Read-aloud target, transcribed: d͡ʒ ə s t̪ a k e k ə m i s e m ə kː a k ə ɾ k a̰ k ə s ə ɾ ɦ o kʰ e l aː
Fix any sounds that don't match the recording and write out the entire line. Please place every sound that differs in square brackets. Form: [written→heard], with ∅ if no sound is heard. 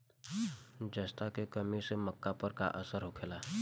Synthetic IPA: d͡ʒ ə s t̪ a k e k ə m i s e m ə kː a [k→p] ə ɾ k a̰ [k→ʔ] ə s ə ɾ ɦ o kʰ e l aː